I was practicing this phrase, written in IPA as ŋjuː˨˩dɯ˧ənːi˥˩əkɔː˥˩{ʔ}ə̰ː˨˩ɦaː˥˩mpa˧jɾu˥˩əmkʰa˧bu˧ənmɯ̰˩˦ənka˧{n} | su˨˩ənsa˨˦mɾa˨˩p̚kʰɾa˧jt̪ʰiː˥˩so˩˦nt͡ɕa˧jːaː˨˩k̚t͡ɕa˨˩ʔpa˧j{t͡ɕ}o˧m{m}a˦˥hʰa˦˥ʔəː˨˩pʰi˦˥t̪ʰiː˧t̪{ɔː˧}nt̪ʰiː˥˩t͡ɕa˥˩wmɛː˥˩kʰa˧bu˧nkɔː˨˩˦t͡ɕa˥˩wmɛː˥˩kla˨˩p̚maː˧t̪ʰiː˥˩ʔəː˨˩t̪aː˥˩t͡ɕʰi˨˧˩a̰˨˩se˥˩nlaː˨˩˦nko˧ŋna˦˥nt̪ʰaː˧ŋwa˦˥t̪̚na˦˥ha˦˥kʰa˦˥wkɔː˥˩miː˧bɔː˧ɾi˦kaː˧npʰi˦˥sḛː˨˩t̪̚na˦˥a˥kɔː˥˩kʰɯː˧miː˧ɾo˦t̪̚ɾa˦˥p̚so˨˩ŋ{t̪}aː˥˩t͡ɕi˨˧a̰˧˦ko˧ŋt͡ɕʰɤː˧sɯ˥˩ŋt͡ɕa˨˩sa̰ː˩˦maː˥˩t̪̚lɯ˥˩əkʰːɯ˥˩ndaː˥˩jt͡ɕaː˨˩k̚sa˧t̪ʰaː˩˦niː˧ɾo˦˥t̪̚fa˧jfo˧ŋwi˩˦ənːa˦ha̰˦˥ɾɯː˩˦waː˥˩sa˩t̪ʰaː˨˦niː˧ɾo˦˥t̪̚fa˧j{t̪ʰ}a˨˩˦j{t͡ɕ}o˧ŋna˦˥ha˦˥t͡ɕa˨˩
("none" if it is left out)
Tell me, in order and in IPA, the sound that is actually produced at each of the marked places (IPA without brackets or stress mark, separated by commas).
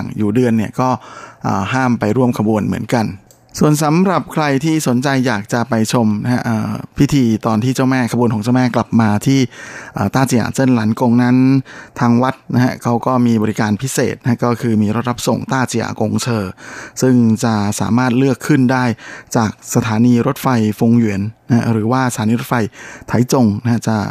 ʔ, n, t͡ɕʰ, n, ɔː˧, t̪, t̪ʰ, t͡ɕ